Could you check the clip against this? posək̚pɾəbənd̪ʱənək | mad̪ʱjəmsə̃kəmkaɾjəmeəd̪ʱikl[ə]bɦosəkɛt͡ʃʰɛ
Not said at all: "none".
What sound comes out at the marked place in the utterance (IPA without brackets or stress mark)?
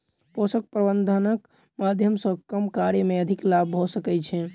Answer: a